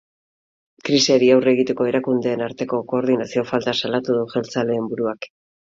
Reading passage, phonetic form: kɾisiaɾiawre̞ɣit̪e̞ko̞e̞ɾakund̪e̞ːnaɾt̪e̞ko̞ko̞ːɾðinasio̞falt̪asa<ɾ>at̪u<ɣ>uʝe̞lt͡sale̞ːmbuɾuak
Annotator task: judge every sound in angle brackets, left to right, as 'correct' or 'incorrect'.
incorrect: l, incorrect: ð

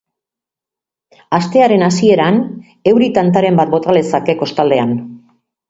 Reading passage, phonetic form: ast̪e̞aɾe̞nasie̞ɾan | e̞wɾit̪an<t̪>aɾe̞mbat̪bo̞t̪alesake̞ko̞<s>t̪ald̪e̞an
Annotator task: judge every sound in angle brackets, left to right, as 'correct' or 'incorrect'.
correct, correct

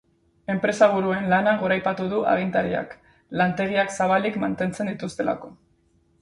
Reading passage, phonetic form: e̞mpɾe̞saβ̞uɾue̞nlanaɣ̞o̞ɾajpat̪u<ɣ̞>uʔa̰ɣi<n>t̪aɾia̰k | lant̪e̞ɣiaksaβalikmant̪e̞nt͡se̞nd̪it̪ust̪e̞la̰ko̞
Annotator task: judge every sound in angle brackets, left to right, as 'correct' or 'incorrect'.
incorrect: ð̞, correct

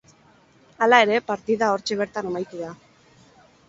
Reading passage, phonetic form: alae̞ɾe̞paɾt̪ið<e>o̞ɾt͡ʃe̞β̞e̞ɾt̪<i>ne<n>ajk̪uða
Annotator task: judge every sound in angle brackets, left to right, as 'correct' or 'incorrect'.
incorrect: a, incorrect: a, incorrect: m

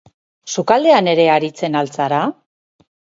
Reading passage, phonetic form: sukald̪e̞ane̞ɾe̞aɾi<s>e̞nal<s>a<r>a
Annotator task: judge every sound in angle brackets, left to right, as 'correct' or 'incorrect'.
incorrect: t͡s, incorrect: t͡s, incorrect: ɾ

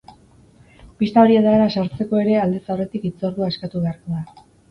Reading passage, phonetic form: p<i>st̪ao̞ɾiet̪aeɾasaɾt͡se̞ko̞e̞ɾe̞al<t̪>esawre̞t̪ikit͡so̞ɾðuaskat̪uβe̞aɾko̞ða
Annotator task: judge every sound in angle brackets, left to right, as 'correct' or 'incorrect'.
correct, incorrect: d̪

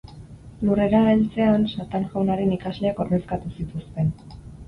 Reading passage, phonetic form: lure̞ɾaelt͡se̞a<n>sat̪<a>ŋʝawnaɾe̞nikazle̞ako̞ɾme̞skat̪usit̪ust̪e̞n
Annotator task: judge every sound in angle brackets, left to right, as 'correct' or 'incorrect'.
correct, correct

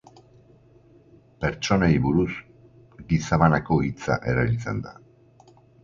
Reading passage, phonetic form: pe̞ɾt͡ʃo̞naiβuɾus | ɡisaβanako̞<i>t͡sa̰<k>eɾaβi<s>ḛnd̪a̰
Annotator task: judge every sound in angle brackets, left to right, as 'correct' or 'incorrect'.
correct, incorrect: ʔ, incorrect: t͡s

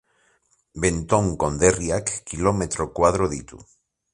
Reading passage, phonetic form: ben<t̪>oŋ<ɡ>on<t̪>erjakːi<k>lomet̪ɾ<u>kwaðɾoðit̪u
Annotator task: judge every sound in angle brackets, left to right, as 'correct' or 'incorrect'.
correct, incorrect: k, incorrect: d̪, incorrect: none, incorrect: o

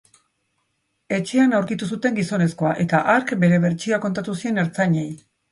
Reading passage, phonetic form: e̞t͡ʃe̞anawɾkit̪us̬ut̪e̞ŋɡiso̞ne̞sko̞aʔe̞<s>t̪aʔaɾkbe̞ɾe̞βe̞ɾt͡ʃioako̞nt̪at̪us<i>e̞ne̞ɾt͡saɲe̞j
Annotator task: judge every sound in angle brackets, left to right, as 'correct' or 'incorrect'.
incorrect: none, correct

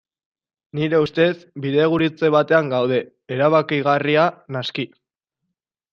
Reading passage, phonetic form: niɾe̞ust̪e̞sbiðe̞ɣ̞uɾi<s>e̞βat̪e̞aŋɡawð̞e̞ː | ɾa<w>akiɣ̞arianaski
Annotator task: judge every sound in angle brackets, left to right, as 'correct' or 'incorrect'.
incorrect: t͡s, incorrect: β

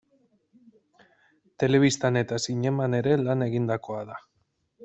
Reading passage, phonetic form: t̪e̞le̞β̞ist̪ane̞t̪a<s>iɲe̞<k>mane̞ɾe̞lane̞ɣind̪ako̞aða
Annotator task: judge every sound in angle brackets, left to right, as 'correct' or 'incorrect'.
correct, incorrect: none

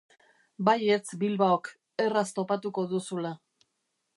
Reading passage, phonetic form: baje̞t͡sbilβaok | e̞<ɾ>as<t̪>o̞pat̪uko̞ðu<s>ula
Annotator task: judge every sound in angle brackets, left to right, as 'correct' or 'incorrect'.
incorrect: r, correct, correct

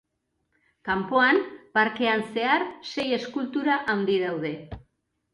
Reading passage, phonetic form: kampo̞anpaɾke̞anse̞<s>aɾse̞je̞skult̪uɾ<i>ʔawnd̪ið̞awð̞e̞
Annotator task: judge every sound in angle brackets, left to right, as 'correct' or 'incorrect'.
incorrect: none, incorrect: a

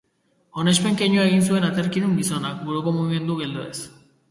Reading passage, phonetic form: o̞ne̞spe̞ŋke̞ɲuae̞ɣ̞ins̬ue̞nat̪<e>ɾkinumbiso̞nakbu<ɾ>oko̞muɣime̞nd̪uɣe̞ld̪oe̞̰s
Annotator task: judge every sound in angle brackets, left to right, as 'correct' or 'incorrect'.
correct, correct

